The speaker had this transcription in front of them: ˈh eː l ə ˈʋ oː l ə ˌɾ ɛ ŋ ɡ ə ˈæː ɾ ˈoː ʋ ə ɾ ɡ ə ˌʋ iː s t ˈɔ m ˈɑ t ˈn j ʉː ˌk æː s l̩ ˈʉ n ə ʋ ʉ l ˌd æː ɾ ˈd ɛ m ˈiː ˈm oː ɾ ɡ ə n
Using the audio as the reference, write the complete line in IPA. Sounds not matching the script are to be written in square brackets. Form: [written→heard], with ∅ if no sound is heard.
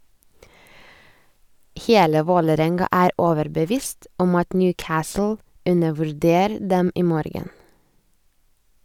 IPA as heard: ˈh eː l ə ˈʋ oː l ə ˌɾ ɛ ŋ ɡ [ə→ɑ] ˈæː ɾ ˈoː ʋ ə ɾ [ɡ→b] ə ˌʋ iː s t ˈɔ m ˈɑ t ˈn j ʉː ˌk æː s l̩ ˈʉ n ə ʋ ʉ [l→ɾ] ˌd [æː→eː] ɾ ˈd ɛ m ˈiː ˈm oː ɾ ɡ ə n